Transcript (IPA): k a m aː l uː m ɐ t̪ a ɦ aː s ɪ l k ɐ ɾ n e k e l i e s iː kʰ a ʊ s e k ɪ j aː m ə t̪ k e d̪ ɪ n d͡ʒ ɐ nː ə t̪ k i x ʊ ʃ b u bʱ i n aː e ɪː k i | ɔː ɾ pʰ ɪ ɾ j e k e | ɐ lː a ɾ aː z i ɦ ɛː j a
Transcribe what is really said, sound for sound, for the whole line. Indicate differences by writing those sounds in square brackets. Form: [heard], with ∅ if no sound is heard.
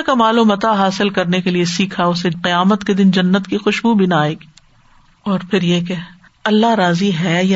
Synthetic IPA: k a m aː l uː m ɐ t̪ a ɦ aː s ɪ l k ɐ ɾ n e k e l i e s iː kʰ a ʊ s e [q] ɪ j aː m ə t̪ k e d̪ ɪ n d͡ʒ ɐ nː ə t̪ k i x ʊ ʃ b u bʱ i n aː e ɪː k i | ɔː ɾ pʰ ɪ ɾ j e k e | ɐ lː a ɾ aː z i ɦ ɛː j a